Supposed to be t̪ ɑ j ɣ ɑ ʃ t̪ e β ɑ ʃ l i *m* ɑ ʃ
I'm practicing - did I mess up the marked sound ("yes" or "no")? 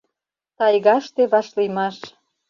no